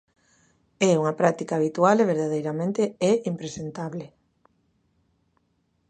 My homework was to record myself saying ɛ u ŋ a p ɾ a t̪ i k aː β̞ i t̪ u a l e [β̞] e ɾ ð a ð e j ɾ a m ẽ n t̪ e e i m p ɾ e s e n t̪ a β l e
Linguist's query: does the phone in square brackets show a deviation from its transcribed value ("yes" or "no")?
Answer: no